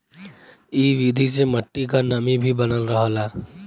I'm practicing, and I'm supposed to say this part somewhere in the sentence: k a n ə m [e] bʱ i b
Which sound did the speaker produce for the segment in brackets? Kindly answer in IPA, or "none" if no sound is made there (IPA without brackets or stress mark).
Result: i